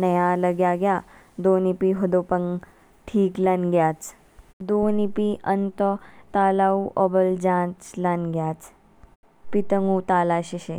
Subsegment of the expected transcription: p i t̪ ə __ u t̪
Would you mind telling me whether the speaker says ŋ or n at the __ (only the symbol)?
ŋ